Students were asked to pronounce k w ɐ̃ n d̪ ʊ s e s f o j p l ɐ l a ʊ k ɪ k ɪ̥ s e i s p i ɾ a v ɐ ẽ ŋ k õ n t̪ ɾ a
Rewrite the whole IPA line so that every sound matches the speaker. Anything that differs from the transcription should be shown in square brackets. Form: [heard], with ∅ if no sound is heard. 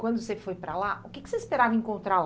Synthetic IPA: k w ɐ̃ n d̪ ʊ s e [∅] f o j p [ɾ] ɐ l a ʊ k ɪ k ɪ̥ s e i s p [e] ɾ a v ɐ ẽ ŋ k õ n t̪ ɾ a

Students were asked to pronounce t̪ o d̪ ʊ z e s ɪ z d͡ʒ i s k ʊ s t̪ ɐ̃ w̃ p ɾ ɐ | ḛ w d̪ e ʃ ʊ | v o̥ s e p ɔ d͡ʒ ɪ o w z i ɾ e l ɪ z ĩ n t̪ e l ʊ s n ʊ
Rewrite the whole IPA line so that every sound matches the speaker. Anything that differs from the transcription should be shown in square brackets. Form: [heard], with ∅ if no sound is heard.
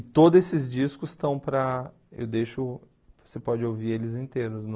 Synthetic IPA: t̪ o d̪ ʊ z e s ɪ z d͡ʒ i s k ʊ s t̪ ɐ̃ w̃ p ɾ ɐ | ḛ w d̪ e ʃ ʊ | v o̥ s e p ɔ d͡ʒ ɪ o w [v] i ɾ e l ɪ z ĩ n t̪ e [ɾ] ʊ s n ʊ

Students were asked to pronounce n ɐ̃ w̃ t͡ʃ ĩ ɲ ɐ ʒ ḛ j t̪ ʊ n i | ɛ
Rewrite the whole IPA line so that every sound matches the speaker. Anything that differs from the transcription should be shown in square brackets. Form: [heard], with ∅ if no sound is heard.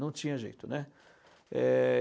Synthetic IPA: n ɐ̃ w̃ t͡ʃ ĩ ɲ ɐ ʒ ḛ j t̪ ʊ n [ɛ] | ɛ

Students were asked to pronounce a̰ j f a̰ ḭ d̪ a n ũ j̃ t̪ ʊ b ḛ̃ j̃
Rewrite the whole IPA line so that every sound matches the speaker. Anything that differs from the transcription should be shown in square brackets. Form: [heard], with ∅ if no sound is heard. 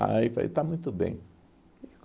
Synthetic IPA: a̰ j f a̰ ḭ [t̪] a [m] ũ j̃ t̪ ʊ b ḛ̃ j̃

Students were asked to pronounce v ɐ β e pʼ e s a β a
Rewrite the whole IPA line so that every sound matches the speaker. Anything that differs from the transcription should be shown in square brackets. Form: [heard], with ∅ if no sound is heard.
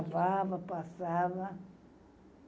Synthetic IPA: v [a] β [a] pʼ [a] s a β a

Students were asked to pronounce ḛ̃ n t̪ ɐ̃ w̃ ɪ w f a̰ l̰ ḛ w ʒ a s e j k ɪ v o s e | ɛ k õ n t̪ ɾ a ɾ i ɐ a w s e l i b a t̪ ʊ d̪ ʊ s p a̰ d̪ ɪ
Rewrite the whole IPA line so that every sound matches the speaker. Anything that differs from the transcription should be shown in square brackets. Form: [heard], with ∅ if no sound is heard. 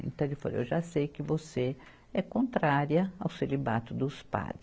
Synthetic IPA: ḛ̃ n t̪ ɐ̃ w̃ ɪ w f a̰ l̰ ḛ w ʒ a s e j k ɪ v o s e | ɛ k õ n t̪ ɾ a ɾ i ɐ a w s e l i b a t̪ ʊ d̪ ʊ s p a̰ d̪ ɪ

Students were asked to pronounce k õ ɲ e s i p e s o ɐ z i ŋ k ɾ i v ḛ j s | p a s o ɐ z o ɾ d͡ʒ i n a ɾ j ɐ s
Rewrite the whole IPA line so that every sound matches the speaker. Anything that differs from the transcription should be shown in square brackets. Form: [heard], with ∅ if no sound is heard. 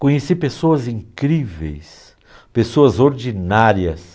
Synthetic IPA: k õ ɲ e s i p e s o ɐ z [ĩ] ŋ k ɾ i v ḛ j s | p [e] s o ɐ z o ɾ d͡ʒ i n a ɾ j ɐ s

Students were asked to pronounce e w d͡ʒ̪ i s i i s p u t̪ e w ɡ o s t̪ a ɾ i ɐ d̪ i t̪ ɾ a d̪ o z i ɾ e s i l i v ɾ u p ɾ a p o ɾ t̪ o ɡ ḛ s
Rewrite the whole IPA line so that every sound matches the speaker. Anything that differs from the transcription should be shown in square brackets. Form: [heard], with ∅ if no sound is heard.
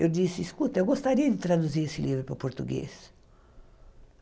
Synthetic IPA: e w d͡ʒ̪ i s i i s [k] u t̪ e w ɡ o s t̪ a ɾ i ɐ d̪ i t̪ ɾ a d̪ [u] z i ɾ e s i l i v ɾ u p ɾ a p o ɾ t̪ [u] ɡ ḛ s

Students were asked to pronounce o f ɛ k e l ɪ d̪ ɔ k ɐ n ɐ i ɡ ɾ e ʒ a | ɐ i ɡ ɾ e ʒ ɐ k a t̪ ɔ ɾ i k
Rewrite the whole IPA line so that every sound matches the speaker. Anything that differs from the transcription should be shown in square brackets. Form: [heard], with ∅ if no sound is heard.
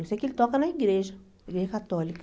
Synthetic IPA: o [s] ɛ k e l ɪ [t̪] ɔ k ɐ n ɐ i ɡ ɾ e ʒ [ɐ] | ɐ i ɡ ɾ e ʒ ɐ k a t̪ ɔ [l] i k

